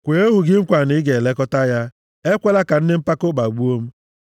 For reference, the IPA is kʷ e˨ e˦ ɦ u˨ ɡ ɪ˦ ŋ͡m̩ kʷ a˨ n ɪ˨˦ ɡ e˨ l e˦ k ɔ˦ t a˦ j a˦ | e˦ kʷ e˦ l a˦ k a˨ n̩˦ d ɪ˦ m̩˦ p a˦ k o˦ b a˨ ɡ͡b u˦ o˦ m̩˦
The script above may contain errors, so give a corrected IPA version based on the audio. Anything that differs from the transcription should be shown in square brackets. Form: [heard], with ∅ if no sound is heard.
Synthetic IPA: kʷ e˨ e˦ ɦ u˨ ɡ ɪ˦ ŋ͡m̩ kʷ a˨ n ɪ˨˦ ɡ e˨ l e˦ k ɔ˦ t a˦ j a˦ | e˦ kʷ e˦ l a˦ k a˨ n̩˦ d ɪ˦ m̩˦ p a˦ k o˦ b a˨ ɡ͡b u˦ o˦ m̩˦

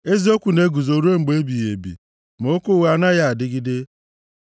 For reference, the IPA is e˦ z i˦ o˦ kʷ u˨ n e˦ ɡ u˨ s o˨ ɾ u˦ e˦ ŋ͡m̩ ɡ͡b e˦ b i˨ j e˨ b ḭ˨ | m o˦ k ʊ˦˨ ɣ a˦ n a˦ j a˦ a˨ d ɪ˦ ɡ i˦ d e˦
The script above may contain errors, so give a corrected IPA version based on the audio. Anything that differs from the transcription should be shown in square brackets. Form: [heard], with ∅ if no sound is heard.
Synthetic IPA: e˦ z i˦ o˦ kʷ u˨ n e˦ ɡ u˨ [z] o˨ ɾ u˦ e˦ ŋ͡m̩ ɡ͡b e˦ b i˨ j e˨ b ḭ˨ | m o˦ k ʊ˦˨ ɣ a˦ n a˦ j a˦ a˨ d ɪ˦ ɡ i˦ d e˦

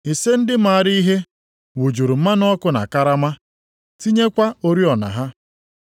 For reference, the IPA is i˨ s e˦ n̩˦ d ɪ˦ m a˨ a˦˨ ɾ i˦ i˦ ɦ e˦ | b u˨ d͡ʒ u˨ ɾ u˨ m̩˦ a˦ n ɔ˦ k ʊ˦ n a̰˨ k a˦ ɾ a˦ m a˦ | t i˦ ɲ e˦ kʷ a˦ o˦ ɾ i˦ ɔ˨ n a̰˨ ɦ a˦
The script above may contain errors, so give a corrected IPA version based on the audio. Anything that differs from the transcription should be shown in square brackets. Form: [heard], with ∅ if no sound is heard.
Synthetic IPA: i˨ s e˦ n̩˦ d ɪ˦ m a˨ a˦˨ ɾ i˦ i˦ ɦ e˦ | [w] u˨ d͡ʒ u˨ ɾ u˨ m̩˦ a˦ n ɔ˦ k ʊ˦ n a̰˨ k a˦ ɾ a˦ m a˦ | t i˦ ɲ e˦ kʷ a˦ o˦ ɾ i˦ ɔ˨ n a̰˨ ɦ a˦

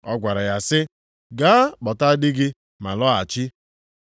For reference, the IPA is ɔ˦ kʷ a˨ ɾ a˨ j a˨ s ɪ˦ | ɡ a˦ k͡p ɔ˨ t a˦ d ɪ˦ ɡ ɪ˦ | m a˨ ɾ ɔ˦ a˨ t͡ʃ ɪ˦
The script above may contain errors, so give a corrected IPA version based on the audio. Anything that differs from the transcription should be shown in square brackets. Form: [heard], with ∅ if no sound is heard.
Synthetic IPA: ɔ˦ [ɡʷ] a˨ ɾ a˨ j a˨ s ɪ˦ | ɡ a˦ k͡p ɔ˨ t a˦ d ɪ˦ ɡ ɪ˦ | m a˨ [l] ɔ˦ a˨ t͡ʃ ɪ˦

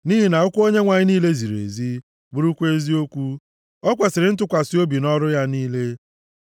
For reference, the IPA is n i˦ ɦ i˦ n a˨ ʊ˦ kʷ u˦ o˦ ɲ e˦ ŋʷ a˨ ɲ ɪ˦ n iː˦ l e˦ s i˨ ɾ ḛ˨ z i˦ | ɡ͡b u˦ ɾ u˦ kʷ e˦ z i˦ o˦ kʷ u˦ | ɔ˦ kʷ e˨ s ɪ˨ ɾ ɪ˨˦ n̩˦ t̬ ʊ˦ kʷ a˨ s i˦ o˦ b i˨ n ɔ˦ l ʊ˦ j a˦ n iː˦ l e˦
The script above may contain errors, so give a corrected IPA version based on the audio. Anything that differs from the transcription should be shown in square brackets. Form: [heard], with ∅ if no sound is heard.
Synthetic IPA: n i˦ ɦ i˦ n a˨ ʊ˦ kʷ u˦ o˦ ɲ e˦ ŋʷ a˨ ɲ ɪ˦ n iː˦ l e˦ [z] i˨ ɾ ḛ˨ z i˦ | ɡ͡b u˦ ɾ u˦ kʷ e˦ z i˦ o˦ kʷ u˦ | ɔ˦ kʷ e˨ s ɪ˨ ɾ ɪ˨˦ n̩˦ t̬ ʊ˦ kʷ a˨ s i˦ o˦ b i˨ n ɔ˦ [ɾ] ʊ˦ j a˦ n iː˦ l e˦

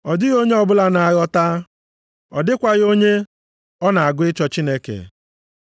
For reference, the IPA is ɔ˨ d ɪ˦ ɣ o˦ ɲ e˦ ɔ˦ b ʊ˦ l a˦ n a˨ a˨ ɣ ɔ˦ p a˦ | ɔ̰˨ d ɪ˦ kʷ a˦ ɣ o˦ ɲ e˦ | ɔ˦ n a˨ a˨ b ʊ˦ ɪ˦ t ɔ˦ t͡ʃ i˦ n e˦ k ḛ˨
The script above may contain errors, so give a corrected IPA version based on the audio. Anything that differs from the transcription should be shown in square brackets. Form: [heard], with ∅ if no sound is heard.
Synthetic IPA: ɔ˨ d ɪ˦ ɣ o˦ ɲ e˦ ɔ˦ b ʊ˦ l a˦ n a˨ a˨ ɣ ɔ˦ [t] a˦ | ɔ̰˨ d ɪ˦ kʷ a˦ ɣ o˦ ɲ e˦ | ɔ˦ n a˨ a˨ [ɡ] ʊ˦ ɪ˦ [t͡ʃ] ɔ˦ t͡ʃ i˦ n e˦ k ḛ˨

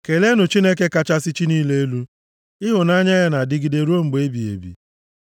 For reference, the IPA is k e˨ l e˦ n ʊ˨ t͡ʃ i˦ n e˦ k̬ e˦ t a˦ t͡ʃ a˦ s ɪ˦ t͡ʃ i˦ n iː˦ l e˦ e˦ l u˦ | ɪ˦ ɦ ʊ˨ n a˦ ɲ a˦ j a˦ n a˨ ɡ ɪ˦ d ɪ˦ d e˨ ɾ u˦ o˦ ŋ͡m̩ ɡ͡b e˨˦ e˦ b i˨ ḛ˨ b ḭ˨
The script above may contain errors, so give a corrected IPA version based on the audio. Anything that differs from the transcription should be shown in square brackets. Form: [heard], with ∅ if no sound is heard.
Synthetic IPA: k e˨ l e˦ n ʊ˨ t͡ʃ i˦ n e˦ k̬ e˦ [k] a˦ t͡ʃ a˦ s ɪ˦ t͡ʃ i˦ n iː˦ l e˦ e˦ l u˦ | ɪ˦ ɦ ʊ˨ n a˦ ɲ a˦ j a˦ n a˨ [d] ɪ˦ [ɡ] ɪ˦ d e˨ ɾ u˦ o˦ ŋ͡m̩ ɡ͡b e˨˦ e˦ b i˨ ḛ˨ b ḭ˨

